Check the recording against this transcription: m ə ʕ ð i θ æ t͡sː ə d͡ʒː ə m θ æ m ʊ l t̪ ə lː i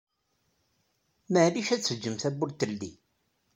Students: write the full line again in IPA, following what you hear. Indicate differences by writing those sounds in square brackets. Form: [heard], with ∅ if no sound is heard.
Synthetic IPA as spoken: m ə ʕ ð i [ʃ] æ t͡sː ə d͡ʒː ə m θ æ [b] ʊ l t̪ ə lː i